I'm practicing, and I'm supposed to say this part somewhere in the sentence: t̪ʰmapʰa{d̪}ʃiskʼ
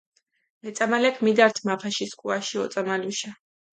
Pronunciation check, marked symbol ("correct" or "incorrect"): incorrect